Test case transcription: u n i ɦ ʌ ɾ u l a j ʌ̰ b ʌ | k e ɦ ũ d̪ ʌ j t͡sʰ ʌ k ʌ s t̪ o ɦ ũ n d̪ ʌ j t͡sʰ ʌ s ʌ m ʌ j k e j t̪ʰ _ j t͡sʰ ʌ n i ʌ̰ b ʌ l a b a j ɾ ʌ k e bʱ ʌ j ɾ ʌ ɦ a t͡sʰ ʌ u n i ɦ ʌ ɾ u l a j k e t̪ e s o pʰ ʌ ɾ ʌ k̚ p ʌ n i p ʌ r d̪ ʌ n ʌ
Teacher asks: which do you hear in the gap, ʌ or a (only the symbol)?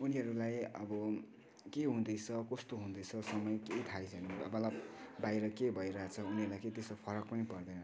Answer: a